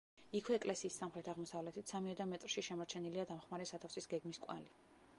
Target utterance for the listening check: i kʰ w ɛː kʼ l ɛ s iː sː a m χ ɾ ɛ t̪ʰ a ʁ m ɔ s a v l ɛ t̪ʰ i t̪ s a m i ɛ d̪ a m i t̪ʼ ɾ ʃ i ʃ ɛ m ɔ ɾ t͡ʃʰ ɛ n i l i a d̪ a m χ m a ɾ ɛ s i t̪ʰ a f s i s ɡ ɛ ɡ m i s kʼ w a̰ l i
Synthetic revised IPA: i kʰ w ɛː kʼ l ɛ s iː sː a m χ ɾ ɛ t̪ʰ a ʁ m ɔ s a v l ɛ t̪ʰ i t̪ s a m i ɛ d̪ a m ɛ t̪ʼ ɾ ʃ i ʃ ɛ m ɔ ɾ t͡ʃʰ ɛ n i l i a d̪ a m χ m a ɾ ɛ s a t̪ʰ a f s i s ɡ ɛ ɡ m i s kʼ w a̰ l i